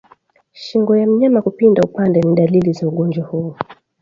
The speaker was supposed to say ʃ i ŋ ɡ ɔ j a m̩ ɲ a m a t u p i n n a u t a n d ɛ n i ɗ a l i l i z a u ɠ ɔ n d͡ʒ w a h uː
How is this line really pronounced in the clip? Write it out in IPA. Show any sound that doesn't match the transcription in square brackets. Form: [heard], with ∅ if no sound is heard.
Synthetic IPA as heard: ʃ i ŋ ɡ ɔ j a m̩ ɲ a m a [k] u p i n [d] a u [p] a n d ɛ n i ɗ a l i l i z a u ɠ ɔ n d͡ʒ w a h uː